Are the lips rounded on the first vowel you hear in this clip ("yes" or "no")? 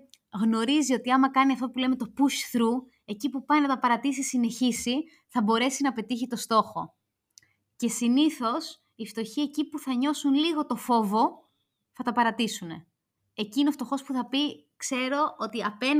yes